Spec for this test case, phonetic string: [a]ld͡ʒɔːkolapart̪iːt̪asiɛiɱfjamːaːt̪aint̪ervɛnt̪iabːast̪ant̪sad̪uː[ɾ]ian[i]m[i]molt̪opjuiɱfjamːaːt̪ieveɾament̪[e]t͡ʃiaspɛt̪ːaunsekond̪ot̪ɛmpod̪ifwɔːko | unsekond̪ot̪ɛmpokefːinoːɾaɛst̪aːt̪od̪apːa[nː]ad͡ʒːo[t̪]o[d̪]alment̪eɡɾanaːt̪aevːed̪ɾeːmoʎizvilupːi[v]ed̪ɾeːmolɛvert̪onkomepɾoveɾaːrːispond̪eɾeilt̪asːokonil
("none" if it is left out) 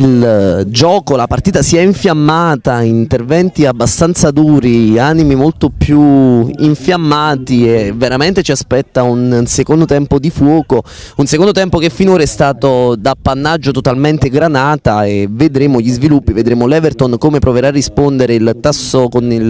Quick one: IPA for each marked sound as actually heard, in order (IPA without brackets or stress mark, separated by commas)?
i, ɾ, i, i, e, nː, t̪, t̪, v